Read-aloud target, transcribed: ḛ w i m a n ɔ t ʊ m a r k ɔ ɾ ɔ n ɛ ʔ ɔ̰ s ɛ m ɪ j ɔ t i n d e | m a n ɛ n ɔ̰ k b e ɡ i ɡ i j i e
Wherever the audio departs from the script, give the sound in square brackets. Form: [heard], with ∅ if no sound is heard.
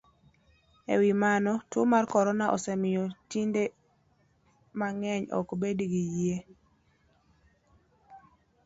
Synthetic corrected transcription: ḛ w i m a n ɔ t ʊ m a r k ɔ ɾ ɔ n [a] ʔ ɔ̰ s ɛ m ɪ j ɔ t i n d e | m a [ŋ] ɛ [ɲ] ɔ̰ k b e [d] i ɡ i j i e